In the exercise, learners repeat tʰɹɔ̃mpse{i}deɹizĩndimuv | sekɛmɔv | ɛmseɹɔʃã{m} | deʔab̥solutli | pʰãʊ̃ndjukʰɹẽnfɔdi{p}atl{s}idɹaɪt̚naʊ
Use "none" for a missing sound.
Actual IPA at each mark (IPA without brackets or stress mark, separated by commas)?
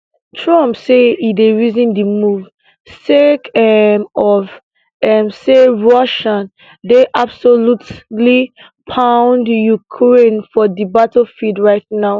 i, n, b, f